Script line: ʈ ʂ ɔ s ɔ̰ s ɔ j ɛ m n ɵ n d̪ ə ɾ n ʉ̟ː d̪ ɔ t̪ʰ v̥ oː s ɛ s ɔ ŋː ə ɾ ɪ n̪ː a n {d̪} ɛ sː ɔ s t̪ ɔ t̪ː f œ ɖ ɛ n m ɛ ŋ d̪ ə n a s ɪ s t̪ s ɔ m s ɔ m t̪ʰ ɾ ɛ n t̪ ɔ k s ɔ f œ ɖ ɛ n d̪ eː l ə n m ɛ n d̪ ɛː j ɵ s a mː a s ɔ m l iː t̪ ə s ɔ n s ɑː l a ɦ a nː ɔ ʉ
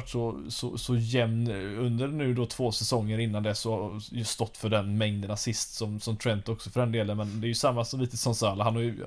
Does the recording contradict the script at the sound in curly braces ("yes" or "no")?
no